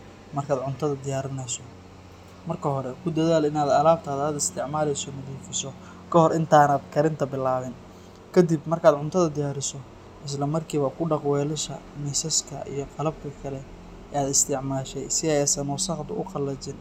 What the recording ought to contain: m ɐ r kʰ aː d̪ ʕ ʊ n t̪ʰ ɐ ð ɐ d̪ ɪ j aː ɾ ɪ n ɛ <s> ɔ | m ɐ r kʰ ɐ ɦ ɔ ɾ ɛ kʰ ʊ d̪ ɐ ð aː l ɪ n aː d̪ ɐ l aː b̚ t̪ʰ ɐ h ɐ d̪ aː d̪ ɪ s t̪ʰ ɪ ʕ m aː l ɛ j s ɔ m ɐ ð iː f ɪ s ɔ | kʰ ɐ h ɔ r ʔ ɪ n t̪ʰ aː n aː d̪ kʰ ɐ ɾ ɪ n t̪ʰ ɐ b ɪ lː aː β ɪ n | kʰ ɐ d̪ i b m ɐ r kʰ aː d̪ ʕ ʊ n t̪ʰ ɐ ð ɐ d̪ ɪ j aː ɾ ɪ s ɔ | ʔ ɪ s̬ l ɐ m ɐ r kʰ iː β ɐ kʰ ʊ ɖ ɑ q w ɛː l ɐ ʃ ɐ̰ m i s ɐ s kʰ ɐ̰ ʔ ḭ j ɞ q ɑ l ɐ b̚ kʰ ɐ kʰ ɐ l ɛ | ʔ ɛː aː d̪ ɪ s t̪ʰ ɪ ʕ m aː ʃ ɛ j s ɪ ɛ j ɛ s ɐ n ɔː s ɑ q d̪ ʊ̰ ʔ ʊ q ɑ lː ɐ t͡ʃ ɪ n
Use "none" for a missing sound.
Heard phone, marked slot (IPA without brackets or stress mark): s